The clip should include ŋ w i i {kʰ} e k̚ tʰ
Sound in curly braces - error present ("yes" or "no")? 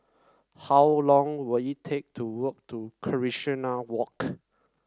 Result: yes